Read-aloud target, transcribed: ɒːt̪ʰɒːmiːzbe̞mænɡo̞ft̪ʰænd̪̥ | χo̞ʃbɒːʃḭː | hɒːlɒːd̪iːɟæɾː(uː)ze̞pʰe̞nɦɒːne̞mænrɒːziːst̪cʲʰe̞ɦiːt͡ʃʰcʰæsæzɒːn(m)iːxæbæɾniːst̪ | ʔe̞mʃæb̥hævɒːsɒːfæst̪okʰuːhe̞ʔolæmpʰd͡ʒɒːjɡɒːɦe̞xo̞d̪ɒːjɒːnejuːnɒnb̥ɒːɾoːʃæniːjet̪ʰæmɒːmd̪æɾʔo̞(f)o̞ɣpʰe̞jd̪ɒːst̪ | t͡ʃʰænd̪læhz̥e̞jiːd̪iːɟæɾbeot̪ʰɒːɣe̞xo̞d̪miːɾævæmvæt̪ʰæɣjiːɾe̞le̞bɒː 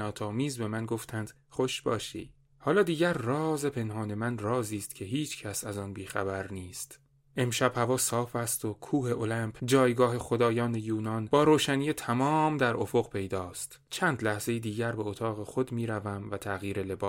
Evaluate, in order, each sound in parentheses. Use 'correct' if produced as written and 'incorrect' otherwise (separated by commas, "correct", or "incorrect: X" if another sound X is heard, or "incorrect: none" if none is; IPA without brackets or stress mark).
incorrect: ɒː, incorrect: b, correct